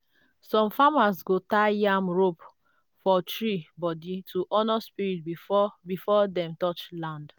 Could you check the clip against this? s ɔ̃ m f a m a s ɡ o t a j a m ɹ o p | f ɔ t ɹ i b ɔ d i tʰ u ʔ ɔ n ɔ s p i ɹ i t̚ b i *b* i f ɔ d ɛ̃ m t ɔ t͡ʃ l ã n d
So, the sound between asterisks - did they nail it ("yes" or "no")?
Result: yes